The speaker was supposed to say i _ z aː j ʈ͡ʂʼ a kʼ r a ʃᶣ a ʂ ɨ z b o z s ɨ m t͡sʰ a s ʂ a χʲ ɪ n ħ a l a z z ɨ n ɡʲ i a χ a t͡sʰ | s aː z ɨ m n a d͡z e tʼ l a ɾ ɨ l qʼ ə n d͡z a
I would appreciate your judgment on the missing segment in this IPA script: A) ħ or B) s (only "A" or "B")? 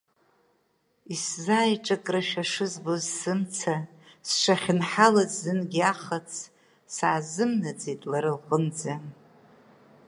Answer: B